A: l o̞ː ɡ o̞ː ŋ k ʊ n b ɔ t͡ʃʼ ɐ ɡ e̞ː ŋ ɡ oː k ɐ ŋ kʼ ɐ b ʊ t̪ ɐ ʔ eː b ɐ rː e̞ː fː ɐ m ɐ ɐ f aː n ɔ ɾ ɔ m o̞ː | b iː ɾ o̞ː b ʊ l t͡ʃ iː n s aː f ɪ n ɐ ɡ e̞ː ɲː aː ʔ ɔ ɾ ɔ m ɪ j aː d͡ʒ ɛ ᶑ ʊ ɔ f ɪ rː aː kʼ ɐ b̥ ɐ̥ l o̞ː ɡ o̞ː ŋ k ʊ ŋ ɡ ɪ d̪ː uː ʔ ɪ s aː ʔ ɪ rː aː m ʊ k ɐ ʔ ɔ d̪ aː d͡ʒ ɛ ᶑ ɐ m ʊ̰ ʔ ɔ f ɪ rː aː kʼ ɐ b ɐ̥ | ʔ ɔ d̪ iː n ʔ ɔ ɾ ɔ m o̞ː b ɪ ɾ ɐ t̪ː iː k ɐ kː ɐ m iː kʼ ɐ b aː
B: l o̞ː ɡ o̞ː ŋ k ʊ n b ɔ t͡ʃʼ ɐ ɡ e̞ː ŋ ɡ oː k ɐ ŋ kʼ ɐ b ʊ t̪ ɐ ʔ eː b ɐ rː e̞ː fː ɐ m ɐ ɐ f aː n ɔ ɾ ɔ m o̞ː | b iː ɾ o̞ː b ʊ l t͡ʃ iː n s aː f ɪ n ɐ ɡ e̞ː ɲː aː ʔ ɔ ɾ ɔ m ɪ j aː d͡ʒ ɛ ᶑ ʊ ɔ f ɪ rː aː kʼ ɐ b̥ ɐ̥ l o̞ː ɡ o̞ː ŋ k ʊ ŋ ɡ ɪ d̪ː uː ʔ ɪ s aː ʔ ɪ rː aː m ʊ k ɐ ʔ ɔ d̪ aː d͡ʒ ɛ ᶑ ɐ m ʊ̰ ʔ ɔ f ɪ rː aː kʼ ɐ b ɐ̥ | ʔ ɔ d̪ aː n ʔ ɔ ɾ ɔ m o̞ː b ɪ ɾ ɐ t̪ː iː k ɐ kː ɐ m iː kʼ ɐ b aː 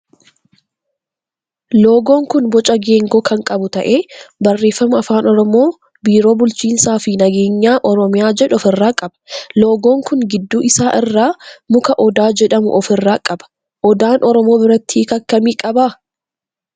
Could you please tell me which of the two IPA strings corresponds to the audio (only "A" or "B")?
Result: B